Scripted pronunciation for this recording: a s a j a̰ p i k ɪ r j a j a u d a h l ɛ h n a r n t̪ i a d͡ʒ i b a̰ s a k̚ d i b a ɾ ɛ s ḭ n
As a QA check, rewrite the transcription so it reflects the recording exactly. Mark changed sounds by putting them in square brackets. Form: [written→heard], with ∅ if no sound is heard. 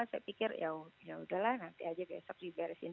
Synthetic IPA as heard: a s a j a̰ p i k ɪ r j a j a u d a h l [ɛ→a] h n a [r→∅] n t̪ i a d͡ʒ [i→a] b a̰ s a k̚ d i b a ɾ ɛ s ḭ n

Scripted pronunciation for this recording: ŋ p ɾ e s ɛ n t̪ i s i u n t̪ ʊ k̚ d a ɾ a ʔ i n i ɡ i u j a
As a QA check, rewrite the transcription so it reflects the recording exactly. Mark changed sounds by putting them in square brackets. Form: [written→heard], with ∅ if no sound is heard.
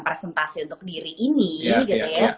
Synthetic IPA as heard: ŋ p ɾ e s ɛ n t̪ [i→a] s i u n t̪ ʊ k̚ d [a→i] ɾ [a→i] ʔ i n i ɡ i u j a

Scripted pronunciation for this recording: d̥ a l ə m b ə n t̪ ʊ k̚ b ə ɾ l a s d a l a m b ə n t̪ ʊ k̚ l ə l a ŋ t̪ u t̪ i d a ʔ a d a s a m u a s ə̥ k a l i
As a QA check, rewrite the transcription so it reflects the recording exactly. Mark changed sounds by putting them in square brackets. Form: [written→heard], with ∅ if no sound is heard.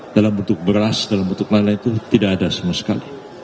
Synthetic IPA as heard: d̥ a l [ə→a] m b ə n t̪ ʊ k̚ b ə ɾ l a s d a l a m b ə n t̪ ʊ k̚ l [ə→a] l a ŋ t̪ u t̪ i d a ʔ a d a s a m u a s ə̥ k a l i

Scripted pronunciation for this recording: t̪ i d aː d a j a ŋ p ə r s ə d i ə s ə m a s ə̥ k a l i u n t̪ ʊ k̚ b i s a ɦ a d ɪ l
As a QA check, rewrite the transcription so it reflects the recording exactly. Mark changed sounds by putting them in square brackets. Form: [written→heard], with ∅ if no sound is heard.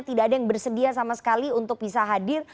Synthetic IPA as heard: t̪ i d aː d a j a ŋ [p→b] ə r s ə d i [ə→a] s [ə→a] m a s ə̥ k a l i u n t̪ ʊ k̚ b i s a ɦ a d ɪ [l→r]

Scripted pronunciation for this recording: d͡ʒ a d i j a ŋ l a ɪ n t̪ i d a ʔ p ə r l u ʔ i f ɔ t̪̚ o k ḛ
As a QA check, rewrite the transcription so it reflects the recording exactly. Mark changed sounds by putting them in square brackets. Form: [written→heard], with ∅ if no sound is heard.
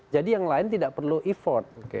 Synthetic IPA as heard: d͡ʒ a d i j a ŋ l a ɪ n t̪ i d a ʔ p ə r l u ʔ i f ɔ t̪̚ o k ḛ

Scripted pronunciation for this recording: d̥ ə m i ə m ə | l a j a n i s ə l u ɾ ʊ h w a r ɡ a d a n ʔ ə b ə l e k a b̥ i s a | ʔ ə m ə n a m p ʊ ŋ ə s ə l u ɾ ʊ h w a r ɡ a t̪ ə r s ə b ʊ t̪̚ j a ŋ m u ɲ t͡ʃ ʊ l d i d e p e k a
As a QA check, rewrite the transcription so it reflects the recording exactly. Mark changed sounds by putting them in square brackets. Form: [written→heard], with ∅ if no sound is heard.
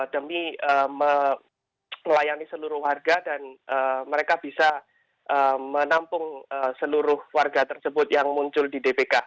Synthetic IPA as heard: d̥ ə m i ə m ə | l a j a n i s ə l u ɾ ʊ h w a r ɡ a d a n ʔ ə [b→m] ə [l→ɾ] e k a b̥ i s a | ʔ ə m ə n a m p ʊ ŋ ə s ə l u ɾ ʊ h w a r ɡ a t̪ ə r s ə b ʊ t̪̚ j a ŋ m u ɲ t͡ʃ ʊ l d i d e p e k a

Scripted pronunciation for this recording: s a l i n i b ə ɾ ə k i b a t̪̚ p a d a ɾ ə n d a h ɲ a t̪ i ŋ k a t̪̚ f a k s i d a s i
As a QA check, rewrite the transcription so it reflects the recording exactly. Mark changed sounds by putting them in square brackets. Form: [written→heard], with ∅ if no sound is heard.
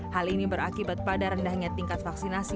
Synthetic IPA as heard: [s→h] a l i n i b ə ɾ [ə→a] k i b a t̪̚ p a d a ɾ ə n d a h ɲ a t̪ i ŋ k a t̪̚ f a k s i [d→n] a s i

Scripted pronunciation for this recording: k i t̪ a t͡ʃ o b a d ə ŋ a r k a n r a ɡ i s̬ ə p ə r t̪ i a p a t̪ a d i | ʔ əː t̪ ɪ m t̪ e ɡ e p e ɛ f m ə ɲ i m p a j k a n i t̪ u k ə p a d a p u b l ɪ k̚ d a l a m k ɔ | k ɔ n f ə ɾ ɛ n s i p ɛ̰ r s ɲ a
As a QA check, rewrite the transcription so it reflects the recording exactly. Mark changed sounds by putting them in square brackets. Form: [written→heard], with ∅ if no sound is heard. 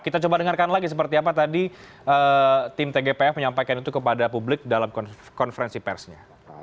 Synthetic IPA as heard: k i t̪ a t͡ʃ o b a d ə ŋ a r k a n [r→l] a ɡ i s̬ ə p ə r t̪ i a p a t̪ a d i | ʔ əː t̪ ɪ m t̪ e ɡ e p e ɛ f m ə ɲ [i→a] m p a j k a n i t̪ u k ə p a d a p u b l ɪ k̚ d a l a m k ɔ | k ɔ n f ə ɾ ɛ n s i p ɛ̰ r s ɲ a

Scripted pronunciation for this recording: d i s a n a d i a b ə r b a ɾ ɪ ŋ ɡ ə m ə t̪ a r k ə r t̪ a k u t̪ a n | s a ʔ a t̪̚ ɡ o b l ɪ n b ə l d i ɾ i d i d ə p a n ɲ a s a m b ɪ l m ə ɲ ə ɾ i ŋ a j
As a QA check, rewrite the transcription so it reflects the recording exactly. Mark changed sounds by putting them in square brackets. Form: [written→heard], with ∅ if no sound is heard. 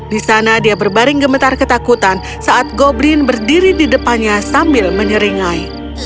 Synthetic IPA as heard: d i s a n a d i a b ə r b a ɾ ɪ ŋ ɡ ə m ə t̪ a r k ə [r→∅] t̪ a k u t̪ a n | s a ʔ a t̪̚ ɡ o b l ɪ n b ə [l→r] d i ɾ i d i d ə p a n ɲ a s a m b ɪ l m ə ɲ ə ɾ i ŋ a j

